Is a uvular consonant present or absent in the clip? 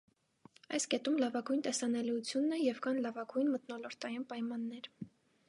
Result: absent